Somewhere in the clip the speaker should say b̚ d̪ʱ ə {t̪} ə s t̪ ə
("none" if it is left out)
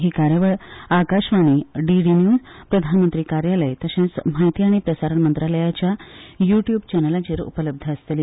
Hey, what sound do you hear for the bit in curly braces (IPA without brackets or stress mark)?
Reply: none